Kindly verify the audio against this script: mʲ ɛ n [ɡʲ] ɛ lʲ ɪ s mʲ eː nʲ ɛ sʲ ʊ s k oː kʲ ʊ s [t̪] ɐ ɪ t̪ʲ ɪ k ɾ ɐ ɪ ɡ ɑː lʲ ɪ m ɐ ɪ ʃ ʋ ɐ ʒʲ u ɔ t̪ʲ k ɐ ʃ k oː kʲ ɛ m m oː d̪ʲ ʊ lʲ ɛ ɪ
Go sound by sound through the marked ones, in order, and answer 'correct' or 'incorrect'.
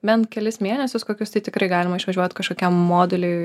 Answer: incorrect, correct

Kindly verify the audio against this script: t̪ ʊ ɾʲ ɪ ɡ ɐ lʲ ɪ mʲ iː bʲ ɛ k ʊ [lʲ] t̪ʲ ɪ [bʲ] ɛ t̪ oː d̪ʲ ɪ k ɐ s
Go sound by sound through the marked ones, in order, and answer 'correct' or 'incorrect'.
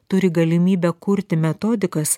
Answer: incorrect, incorrect

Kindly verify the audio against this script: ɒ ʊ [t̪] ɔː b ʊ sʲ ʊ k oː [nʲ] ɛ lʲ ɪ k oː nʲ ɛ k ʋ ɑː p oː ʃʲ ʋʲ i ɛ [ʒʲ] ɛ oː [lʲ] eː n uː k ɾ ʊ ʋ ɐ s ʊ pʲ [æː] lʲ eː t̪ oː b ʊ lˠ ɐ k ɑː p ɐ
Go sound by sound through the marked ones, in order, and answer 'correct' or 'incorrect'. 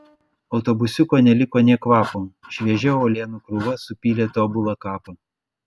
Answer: correct, correct, correct, correct, incorrect

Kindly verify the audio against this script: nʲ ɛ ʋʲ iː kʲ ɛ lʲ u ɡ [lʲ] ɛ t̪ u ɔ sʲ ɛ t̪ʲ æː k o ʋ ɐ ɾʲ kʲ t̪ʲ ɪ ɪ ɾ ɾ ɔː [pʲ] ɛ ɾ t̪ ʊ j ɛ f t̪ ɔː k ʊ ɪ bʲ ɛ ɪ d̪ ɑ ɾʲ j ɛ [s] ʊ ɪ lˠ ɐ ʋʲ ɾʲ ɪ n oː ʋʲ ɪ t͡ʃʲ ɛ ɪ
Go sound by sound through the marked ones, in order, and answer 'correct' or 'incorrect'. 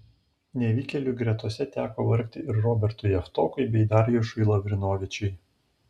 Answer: incorrect, incorrect, incorrect

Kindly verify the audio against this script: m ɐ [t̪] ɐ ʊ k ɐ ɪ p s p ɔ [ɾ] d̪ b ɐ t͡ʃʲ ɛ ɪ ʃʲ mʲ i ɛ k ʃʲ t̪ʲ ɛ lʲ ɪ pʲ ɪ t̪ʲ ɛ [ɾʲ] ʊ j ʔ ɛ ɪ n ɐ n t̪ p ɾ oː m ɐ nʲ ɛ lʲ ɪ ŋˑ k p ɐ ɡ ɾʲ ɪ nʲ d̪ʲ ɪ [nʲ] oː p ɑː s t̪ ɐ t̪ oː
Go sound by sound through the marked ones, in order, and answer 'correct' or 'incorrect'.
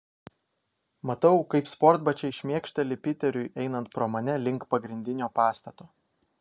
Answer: correct, correct, correct, correct

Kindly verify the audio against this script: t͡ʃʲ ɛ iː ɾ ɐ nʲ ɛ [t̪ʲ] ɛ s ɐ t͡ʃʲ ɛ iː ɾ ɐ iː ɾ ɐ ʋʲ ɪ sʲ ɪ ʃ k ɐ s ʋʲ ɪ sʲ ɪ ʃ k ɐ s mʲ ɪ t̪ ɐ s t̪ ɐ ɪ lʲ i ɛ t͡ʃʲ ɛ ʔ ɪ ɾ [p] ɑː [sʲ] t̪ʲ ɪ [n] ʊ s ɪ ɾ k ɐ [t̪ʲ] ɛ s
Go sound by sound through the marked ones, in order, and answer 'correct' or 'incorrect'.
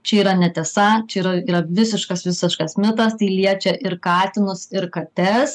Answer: correct, incorrect, incorrect, correct, correct

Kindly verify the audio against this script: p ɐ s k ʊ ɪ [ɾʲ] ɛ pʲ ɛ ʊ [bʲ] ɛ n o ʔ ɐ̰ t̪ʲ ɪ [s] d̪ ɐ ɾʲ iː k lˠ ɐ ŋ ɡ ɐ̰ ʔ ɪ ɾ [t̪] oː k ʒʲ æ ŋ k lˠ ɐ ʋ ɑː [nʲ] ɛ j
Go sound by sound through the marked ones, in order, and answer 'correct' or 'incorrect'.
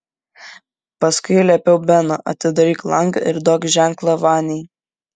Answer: incorrect, correct, incorrect, incorrect, correct

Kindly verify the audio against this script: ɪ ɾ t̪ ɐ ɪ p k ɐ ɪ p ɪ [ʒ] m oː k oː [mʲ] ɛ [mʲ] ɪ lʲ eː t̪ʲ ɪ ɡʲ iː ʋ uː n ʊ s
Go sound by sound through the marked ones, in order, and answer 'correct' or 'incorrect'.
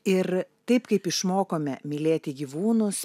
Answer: incorrect, correct, correct

